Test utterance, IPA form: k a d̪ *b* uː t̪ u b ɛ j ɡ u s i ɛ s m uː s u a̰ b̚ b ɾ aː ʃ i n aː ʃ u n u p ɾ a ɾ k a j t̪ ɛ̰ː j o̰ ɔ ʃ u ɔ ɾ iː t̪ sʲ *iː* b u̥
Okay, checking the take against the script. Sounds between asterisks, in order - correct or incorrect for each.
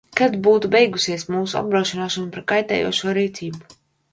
correct, correct

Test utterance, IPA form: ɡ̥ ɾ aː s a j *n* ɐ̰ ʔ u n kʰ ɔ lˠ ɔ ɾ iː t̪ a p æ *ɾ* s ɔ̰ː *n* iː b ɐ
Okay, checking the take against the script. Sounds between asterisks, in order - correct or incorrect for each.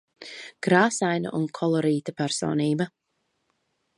correct, correct, correct

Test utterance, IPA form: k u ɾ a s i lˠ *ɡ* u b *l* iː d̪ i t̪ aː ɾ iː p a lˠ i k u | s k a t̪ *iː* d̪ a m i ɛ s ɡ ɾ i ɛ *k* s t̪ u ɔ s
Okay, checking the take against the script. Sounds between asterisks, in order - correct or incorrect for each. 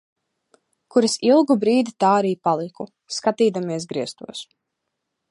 correct, incorrect: ɾ, correct, incorrect: none

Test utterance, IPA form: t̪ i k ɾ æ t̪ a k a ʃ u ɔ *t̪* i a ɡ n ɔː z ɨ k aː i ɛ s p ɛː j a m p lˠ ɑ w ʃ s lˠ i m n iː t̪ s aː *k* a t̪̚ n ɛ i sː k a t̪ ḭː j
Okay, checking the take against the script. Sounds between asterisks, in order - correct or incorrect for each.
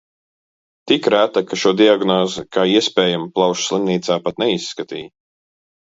incorrect: d̪, incorrect: p

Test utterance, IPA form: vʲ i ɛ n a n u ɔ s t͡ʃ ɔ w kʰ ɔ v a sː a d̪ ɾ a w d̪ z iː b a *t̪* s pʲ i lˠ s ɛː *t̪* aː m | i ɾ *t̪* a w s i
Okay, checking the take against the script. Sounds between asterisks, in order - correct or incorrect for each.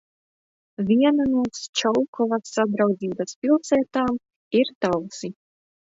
incorrect: none, correct, correct

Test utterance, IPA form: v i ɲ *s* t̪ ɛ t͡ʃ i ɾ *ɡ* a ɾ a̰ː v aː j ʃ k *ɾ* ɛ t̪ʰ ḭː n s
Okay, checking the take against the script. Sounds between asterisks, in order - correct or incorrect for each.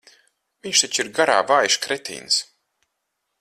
incorrect: ʃ, correct, correct

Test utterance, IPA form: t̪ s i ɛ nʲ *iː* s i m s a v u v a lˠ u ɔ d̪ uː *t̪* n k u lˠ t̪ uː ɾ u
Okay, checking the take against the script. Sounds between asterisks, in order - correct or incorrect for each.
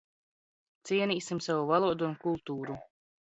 correct, incorrect: none

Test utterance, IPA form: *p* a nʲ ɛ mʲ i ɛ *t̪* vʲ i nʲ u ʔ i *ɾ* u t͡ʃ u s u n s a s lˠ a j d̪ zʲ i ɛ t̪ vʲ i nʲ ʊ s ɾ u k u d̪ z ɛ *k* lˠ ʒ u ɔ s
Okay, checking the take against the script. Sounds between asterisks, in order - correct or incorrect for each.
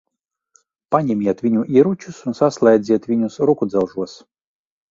correct, correct, correct, incorrect: none

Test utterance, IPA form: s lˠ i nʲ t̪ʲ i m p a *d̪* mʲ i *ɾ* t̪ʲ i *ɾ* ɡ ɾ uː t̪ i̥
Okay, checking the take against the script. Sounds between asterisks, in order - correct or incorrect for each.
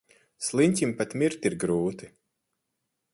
incorrect: t̪, correct, correct

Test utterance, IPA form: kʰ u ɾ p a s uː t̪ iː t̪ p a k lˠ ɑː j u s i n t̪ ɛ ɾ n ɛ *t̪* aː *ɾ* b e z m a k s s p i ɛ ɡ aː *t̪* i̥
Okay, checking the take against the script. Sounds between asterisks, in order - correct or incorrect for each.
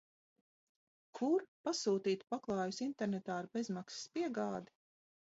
correct, correct, incorrect: d̪

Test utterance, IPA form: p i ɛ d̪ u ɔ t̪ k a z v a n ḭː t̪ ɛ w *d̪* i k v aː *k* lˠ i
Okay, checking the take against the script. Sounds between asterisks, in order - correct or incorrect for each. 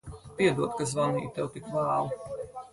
incorrect: t̪, incorrect: none

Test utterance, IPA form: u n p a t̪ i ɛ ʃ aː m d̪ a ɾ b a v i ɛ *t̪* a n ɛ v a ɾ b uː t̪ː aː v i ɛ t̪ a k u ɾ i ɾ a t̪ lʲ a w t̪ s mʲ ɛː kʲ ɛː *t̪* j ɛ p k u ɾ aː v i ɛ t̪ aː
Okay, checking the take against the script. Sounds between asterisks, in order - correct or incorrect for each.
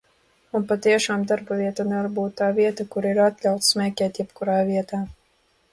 correct, correct

